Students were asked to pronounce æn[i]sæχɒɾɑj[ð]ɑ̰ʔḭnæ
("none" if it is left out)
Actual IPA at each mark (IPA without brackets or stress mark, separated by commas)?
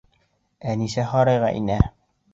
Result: i, ʁ